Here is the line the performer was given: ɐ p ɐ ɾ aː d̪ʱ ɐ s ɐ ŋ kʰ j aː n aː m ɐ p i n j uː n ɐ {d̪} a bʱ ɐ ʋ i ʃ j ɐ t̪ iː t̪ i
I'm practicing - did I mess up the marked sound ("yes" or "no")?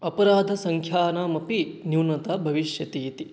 yes